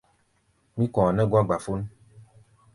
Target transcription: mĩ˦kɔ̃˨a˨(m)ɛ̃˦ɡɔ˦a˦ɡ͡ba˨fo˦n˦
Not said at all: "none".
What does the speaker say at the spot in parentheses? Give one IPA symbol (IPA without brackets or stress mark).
n